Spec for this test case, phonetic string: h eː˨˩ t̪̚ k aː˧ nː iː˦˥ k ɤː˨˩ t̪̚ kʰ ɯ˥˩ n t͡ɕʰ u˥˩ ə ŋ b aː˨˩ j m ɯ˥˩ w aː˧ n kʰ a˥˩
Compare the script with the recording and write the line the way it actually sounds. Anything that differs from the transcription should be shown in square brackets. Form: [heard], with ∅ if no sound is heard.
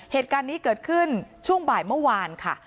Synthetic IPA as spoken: h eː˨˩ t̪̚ k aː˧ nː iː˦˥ k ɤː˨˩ t̪̚ kʰ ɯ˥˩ n t͡ɕʰ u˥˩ ə ŋ b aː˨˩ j m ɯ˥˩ w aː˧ n kʰ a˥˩